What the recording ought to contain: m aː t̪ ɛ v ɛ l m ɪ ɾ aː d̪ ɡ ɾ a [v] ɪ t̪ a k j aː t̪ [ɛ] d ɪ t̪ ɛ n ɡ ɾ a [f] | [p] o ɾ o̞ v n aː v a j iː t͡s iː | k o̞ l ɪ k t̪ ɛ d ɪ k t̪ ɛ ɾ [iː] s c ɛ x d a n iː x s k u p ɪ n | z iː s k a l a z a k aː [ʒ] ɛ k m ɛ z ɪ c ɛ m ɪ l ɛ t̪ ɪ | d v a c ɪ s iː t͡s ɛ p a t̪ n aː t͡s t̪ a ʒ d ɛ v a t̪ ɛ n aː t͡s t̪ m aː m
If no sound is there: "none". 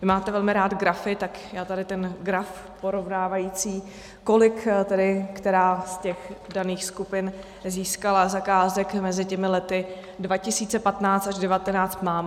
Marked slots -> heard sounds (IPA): f, a, f, p, aː, z

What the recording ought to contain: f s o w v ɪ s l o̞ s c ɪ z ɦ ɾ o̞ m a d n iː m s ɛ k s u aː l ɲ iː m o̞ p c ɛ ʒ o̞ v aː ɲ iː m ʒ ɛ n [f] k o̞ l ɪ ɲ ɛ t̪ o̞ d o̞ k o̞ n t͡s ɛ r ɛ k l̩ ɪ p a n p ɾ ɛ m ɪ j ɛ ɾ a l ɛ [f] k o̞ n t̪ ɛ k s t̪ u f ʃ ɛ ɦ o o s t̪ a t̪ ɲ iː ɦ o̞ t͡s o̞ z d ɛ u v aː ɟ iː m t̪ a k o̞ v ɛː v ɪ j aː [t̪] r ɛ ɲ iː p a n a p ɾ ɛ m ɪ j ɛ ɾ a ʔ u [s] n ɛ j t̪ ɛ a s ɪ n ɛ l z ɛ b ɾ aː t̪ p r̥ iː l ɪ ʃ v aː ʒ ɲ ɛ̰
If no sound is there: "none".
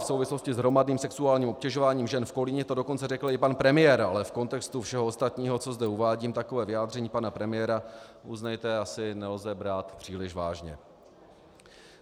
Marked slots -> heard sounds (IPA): f, f, d̪, z

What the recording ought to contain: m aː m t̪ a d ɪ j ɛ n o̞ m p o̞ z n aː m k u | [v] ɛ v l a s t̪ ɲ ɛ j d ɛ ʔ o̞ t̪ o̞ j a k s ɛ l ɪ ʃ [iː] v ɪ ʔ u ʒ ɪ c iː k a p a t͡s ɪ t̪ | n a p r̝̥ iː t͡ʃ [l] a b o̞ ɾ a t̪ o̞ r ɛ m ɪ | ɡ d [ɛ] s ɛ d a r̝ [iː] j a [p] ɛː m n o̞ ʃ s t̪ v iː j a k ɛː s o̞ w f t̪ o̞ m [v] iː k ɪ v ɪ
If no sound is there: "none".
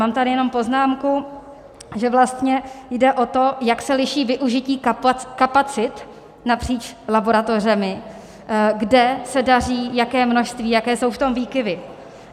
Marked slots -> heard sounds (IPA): ʒ, iː, l, ɛ, iː, k, v

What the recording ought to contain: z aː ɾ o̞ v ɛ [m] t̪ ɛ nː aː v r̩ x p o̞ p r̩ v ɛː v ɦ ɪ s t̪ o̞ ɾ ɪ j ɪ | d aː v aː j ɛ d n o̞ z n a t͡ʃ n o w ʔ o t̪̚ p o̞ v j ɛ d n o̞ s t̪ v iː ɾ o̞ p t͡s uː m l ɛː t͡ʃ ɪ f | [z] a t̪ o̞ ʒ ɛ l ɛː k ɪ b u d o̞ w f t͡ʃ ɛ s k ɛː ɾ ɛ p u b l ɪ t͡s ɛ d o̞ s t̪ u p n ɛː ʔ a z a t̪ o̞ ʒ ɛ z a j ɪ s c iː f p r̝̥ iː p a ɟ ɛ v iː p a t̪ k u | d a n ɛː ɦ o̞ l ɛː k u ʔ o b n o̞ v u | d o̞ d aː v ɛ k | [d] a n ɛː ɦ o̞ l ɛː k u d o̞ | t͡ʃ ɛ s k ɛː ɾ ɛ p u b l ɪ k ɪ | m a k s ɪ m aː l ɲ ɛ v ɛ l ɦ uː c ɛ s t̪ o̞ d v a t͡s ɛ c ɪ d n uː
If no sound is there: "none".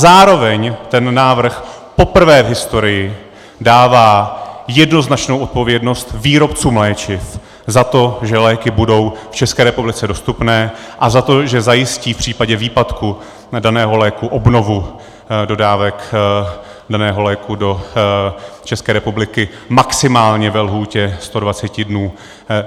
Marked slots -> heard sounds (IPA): ɲ, z, d

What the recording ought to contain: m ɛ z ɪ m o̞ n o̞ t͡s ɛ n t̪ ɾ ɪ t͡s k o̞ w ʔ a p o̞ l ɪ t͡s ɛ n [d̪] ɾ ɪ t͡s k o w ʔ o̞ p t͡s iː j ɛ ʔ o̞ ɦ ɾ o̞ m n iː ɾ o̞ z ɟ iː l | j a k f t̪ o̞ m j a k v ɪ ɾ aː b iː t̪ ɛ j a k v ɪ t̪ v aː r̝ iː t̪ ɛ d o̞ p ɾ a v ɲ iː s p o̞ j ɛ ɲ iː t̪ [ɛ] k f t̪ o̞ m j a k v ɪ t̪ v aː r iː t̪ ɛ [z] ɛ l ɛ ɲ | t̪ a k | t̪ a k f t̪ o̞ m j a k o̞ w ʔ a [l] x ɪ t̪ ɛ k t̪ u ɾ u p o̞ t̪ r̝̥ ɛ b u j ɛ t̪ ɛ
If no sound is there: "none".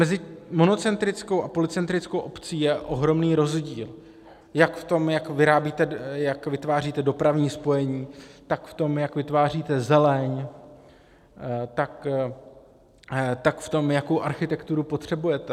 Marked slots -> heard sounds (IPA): t̪, a, z, ɾ

